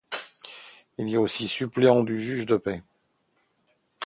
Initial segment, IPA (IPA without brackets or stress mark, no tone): i